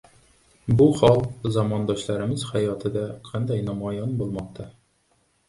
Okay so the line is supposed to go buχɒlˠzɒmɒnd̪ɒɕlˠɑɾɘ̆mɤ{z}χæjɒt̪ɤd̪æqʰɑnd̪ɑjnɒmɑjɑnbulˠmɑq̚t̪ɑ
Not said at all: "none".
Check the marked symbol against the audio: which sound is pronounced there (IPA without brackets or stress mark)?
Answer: z